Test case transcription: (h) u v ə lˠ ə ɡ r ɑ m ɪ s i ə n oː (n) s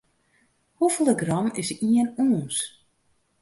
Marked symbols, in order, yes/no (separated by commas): yes, yes